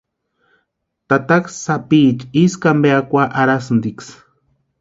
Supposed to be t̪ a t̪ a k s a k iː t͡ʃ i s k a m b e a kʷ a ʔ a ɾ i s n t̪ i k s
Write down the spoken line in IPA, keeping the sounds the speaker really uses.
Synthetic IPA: t̪ a t̪ a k s a p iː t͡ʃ i s k a m b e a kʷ a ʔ a ɾ a s n d̪ i k s